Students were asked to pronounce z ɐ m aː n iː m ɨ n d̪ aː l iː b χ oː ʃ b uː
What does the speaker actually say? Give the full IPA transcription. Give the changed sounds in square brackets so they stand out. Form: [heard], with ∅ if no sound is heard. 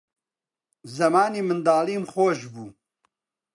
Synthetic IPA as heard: z ɐ m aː n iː m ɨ n d̪ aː l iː [m] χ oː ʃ b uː